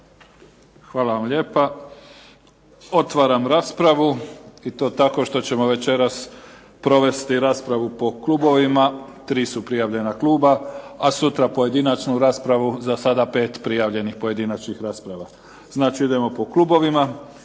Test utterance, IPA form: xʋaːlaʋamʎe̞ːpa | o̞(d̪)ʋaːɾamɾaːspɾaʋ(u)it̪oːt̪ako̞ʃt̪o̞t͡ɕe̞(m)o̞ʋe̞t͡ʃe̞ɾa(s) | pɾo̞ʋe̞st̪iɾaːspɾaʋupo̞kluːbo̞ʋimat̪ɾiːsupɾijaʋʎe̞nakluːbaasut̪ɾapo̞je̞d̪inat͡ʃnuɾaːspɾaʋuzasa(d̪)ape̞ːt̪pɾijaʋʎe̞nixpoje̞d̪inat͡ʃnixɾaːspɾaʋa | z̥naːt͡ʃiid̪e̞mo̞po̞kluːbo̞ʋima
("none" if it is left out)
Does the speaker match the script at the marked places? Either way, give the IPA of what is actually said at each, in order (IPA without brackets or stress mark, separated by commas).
t̪, u, m, s, d̪